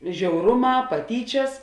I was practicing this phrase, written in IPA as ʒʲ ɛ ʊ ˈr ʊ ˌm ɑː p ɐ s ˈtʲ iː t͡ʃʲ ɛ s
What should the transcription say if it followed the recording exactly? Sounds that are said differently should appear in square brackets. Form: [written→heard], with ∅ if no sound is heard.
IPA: ʒʲ ɛ ʊ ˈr ʊ ˌm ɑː p ɐ [s→∅] ˈtʲ iː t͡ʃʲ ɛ s